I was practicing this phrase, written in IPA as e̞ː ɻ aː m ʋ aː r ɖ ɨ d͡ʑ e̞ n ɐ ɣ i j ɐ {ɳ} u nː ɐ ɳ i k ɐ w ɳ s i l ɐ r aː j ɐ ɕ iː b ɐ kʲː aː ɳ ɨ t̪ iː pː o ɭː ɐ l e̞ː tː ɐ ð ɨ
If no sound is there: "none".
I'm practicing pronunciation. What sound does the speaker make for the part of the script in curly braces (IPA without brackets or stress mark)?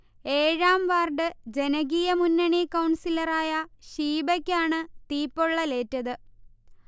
m